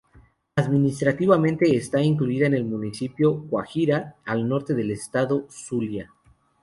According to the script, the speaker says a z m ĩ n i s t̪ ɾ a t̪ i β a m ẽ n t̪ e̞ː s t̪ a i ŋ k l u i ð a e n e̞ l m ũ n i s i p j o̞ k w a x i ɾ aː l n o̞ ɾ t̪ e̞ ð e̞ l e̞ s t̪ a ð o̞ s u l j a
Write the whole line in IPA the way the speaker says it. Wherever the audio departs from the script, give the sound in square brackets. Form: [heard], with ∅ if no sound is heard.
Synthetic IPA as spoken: a [ð] m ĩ n i s t̪ ɾ a t̪ i β a m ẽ n t̪ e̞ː s t̪ a i ŋ k l u i ð a e n e̞ l m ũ n i s i p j o̞ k w a x i ɾ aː l n o̞ ɾ t̪ e̞ ð e̞ l e̞ s t̪ a ð o̞ s u l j a